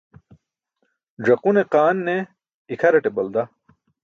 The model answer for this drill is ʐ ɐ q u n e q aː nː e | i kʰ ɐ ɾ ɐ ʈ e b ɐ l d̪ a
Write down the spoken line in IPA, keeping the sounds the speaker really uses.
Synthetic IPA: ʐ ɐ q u n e q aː nː e | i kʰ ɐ ɾ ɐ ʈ e b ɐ l d̪ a